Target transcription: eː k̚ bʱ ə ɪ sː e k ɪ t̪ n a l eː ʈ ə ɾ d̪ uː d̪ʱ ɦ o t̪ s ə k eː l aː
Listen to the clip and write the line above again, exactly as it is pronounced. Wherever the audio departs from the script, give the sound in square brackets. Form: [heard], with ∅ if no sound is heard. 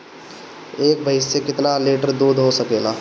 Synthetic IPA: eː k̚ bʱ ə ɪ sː e k ɪ t̪ n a l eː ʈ ə ɾ d̪ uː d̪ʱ ɦ o [∅] s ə k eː l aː